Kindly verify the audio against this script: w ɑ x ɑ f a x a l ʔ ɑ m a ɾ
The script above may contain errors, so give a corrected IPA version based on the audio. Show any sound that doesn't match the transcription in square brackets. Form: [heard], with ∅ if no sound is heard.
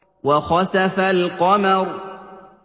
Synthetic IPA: w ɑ x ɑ [s] a [f] a l [q] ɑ m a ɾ